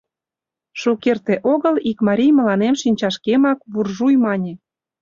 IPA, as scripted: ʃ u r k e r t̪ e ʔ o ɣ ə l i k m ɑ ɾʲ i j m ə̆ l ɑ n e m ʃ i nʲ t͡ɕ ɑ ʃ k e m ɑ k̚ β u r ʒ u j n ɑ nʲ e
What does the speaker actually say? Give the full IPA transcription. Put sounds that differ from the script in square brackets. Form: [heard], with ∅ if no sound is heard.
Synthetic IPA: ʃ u [∅] k e r t̪ e ʔ o ɣ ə l i k m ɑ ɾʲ i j m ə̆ l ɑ n e m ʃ i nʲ t͡ɕ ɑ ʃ k e m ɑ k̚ β u r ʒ u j [m] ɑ nʲ e